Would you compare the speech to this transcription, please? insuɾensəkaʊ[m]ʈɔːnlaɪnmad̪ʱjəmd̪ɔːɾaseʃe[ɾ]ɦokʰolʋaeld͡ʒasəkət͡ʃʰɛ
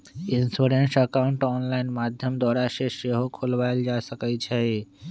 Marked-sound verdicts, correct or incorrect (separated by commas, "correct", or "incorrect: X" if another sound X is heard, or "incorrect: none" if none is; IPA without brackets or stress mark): incorrect: ɳ, incorrect: none